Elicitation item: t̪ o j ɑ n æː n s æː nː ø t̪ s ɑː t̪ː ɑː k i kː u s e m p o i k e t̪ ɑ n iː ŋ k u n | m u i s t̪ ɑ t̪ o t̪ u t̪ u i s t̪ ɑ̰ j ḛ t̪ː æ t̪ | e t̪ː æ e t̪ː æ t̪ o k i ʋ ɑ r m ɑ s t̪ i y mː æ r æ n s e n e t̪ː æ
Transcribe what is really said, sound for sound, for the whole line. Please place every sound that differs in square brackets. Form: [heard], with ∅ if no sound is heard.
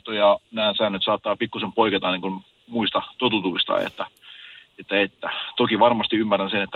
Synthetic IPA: t̪ o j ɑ n æː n s æː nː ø t̪ s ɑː t̪ː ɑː [p] i kː u s e m p o i k e t̪ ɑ n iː ŋ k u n | m u i s t̪ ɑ t̪ o t̪ u t̪ u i s t̪ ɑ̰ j ḛ t̪ː æ [∅] | e t̪ː æ e t̪ː æ t̪ o k i ʋ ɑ r m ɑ s t̪ i y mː æ r æ n s e n e t̪ː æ